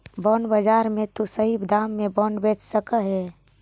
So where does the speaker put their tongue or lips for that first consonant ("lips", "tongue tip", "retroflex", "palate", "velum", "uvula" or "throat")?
lips